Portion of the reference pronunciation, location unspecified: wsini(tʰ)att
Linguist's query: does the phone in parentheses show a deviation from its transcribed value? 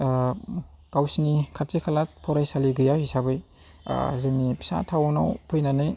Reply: yes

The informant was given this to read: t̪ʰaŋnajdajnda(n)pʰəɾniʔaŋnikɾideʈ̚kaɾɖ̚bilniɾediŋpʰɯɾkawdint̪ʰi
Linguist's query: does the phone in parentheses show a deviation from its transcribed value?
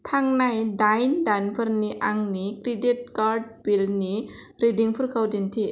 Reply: no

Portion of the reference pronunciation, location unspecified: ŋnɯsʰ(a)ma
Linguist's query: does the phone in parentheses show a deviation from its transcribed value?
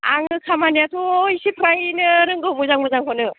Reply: no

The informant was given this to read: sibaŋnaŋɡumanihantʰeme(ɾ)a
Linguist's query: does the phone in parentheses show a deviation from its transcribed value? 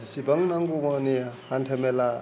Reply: yes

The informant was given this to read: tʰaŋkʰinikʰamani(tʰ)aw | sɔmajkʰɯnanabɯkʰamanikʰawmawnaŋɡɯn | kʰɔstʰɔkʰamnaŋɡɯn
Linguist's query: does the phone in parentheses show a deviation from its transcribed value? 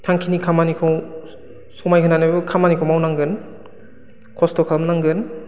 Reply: yes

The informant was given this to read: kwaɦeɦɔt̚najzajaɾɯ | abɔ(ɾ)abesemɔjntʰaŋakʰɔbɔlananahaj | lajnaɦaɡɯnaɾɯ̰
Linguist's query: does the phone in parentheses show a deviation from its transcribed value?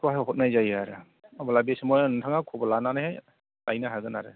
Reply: yes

